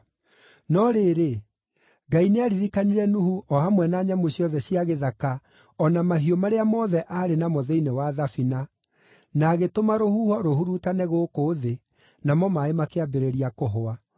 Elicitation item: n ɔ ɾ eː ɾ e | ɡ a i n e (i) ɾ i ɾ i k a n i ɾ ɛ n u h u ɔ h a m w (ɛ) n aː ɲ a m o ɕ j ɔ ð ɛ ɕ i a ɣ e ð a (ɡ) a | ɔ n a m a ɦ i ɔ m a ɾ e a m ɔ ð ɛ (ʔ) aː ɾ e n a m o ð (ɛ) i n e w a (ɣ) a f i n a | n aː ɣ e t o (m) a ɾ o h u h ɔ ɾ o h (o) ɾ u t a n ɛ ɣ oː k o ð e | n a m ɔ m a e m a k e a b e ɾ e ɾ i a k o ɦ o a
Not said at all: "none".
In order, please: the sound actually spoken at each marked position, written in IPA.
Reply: a, ɛ, k, ʔ, ɛ, ð, m, u

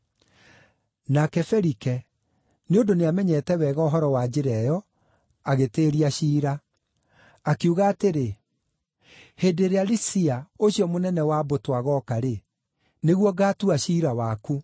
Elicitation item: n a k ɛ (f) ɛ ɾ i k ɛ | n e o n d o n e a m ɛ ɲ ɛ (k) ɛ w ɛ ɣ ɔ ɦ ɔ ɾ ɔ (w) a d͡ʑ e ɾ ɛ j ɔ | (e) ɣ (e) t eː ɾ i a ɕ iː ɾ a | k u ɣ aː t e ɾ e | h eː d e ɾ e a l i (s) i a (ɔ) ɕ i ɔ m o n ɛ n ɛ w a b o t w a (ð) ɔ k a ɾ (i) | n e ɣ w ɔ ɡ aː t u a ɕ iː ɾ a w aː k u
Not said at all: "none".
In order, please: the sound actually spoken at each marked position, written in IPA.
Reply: f, t, w, a, e, s, o, ɣ, e

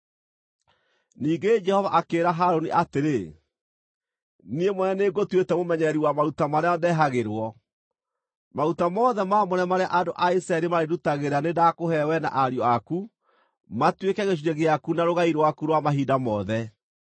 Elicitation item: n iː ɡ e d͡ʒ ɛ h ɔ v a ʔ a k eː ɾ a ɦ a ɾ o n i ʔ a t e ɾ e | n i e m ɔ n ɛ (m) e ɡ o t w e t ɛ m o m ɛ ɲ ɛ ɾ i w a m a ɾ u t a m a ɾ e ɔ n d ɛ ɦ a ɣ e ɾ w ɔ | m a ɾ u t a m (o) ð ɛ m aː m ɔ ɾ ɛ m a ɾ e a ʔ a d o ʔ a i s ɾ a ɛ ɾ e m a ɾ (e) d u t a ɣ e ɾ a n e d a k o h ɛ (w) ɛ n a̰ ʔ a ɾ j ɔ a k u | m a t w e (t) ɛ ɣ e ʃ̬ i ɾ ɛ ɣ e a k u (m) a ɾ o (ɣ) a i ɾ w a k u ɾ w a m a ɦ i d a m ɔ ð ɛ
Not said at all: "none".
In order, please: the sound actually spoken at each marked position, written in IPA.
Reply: n, ɔ, e, w, k, n, ɣ

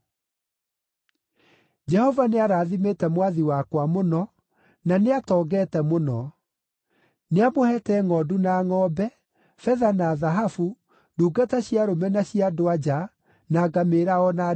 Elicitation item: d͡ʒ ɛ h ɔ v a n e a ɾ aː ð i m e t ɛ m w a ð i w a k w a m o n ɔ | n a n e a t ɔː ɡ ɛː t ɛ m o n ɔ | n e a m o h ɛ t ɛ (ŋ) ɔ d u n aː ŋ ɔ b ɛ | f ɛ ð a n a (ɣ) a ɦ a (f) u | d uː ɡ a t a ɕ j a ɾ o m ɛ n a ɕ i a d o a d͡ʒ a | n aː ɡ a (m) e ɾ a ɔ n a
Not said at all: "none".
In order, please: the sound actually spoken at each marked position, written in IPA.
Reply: ŋ, ð, f, m

